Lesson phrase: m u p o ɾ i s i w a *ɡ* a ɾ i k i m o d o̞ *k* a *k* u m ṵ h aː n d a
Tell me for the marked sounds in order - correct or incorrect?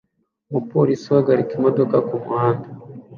correct, correct, correct

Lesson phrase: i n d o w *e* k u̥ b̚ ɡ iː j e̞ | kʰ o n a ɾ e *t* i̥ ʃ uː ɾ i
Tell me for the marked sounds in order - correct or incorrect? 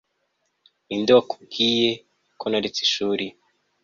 incorrect: a, incorrect: t͡s

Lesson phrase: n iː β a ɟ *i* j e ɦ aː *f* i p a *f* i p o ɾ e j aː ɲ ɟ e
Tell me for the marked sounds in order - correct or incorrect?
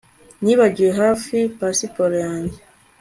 correct, correct, incorrect: s

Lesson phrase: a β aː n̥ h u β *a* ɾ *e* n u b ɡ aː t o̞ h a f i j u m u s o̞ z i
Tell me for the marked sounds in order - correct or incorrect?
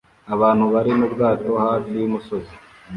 correct, incorrect: i

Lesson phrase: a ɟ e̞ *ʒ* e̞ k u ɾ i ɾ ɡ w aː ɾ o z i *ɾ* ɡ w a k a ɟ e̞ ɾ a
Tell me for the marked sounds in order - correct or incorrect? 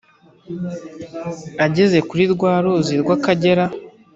incorrect: z, correct

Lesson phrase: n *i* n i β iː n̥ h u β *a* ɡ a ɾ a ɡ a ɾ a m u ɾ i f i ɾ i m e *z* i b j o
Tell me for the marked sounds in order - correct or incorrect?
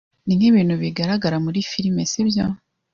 correct, incorrect: i, incorrect: s

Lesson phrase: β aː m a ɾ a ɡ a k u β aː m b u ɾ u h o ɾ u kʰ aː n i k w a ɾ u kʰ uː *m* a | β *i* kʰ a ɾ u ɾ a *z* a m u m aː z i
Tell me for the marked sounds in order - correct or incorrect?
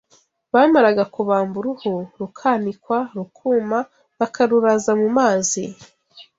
correct, incorrect: a, correct

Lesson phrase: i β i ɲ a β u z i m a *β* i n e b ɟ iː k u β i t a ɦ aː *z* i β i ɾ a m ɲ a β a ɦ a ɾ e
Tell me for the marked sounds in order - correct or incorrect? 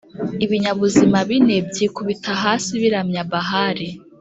correct, incorrect: s

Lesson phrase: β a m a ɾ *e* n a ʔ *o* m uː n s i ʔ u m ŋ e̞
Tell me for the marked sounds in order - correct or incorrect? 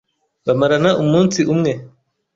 incorrect: a, incorrect: u

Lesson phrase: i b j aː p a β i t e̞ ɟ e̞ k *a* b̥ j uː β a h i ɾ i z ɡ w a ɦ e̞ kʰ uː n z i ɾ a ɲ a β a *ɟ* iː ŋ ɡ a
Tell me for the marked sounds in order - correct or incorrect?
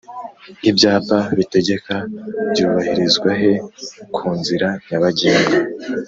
correct, correct

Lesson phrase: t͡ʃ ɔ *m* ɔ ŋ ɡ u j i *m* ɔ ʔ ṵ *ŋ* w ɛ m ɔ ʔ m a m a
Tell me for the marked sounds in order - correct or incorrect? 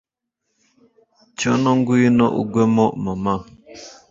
incorrect: n, incorrect: n, incorrect: ɡ

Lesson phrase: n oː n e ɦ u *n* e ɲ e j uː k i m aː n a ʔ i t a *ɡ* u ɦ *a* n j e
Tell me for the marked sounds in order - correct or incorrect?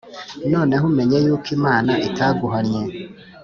incorrect: m, correct, correct

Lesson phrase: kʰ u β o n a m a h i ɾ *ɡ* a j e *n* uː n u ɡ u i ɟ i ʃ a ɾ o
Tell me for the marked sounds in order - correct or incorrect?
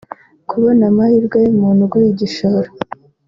correct, incorrect: m

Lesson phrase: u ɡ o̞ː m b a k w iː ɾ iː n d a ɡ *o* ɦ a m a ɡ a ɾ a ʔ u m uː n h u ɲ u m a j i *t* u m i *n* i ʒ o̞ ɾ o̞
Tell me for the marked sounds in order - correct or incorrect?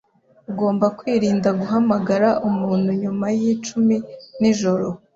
incorrect: u, incorrect: t͡ʃ, correct

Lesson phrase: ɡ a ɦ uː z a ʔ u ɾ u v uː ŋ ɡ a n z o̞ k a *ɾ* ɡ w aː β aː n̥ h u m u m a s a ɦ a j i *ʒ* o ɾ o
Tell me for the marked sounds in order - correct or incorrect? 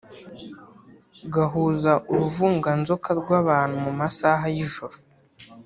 correct, correct

